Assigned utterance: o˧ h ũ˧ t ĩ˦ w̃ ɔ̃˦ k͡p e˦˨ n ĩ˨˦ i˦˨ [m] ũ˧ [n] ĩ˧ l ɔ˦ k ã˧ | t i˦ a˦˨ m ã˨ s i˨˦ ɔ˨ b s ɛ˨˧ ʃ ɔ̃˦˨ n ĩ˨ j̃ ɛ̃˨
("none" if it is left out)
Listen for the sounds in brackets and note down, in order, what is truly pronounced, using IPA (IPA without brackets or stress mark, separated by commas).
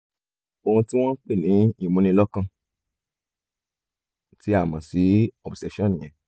m, n